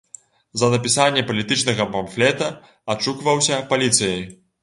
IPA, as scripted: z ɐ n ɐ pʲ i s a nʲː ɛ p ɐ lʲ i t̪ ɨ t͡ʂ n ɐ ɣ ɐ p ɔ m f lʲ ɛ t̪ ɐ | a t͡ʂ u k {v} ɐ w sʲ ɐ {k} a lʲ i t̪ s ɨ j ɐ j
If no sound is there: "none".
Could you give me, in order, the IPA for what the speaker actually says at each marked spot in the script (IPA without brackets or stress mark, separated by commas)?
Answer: v, p